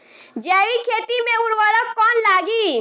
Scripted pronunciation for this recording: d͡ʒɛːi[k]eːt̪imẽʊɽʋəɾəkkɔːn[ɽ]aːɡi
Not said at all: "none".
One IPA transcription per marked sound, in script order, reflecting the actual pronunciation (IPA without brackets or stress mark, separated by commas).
kʰ, l